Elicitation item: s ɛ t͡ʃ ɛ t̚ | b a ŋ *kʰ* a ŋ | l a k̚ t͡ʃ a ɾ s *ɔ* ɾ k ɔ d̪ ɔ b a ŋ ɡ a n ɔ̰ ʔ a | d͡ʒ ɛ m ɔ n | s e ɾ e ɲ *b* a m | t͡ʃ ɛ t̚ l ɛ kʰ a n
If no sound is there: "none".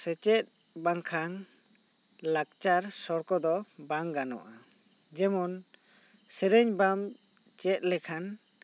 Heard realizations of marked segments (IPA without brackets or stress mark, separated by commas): kʰ, ɔ, b